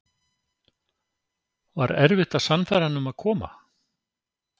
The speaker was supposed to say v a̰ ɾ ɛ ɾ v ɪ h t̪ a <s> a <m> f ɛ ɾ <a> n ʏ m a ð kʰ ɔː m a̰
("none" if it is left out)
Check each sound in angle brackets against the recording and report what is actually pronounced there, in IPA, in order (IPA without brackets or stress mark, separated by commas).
s, n, a